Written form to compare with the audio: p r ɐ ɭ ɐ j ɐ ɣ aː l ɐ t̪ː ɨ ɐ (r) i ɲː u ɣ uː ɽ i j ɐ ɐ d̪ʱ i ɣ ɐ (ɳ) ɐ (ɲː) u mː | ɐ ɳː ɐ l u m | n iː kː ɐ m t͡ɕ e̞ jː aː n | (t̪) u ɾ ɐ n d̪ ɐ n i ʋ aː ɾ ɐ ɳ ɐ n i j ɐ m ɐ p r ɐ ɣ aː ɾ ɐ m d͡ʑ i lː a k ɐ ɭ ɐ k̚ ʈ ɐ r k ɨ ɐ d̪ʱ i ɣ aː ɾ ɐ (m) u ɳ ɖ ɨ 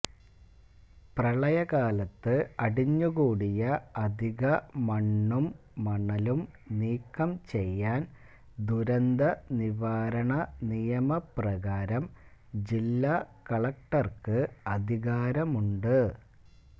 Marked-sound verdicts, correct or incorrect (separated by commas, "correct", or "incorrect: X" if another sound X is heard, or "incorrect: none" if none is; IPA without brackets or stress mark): incorrect: ɽ, incorrect: m, incorrect: ɳː, incorrect: d̪, correct